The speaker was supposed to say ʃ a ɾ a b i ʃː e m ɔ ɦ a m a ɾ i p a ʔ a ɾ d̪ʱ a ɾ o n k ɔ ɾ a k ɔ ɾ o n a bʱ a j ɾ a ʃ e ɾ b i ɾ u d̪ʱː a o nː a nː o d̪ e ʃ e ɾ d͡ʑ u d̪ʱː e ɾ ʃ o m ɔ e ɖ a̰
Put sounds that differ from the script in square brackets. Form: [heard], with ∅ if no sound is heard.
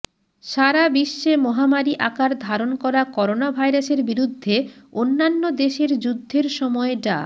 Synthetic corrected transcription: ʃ a ɾ a b i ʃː e m ɔ ɦ a m a ɾ i [ʔ] a [k] a ɾ d̪ʱ a ɾ o n k ɔ ɾ a k ɔ ɾ o n a bʱ a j ɾ a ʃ e ɾ b i ɾ u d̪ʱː [e] o nː a nː o d̪ e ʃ e ɾ d͡ʑ u d̪ʱː e ɾ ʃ [ɔ] m ɔ e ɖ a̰